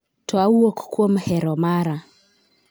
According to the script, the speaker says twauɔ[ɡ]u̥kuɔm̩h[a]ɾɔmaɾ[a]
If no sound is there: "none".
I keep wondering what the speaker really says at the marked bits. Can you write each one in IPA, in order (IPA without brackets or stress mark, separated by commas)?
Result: k, ɛ, a